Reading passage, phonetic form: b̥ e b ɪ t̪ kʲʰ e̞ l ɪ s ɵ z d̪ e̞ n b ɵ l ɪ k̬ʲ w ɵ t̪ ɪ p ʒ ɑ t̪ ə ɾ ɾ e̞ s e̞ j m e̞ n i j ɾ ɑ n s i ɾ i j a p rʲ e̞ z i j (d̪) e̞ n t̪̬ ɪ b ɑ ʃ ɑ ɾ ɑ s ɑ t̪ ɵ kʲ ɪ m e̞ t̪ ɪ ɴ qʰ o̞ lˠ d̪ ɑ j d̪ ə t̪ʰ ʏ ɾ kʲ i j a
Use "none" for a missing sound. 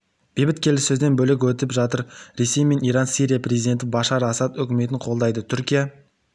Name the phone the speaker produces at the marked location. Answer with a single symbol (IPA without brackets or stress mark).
d̪